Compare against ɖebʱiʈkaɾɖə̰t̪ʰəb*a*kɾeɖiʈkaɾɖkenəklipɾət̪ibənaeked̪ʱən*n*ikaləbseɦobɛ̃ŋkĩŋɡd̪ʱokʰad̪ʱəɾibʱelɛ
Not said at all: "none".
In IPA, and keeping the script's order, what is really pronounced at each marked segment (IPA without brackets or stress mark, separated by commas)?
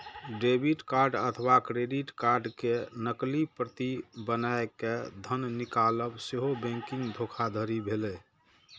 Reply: a, n